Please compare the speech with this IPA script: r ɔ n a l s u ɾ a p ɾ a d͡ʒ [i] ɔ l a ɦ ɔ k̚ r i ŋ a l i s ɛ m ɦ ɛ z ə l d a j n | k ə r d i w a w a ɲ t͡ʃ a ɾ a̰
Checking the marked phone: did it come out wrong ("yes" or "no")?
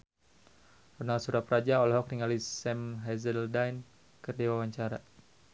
yes